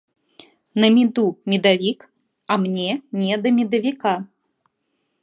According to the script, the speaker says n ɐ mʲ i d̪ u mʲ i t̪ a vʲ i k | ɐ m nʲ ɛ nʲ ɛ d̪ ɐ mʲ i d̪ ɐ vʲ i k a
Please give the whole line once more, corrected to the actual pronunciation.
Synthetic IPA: n ɐ mʲ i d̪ u mʲ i d̪ a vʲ i k | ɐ m nʲ ɛ nʲ ɛ d̪ ɐ mʲ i d̪ ɐ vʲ i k a